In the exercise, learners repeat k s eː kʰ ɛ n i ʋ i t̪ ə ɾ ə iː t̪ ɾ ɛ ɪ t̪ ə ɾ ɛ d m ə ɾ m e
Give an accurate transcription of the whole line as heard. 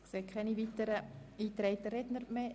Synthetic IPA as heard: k s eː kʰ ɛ n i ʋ i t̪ ə ɾ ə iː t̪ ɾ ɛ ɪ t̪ ə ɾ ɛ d n ə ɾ m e